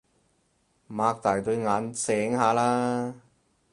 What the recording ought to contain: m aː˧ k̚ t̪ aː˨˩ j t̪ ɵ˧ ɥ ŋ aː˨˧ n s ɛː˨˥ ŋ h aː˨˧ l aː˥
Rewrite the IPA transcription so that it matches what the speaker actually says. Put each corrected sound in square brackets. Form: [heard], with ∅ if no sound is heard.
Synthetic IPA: m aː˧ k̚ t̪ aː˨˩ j t̪ ɵ˧ ɥ ŋ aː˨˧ n s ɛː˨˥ ŋ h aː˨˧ l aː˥